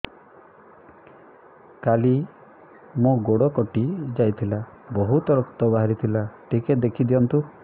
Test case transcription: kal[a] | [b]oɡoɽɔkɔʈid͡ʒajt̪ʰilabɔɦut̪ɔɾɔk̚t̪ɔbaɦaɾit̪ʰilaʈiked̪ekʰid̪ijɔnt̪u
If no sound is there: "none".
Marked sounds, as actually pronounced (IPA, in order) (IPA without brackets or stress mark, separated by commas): i, m